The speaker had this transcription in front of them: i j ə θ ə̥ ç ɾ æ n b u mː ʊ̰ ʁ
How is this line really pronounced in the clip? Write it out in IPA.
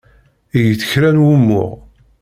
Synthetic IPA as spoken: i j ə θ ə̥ ç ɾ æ n w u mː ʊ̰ ʁ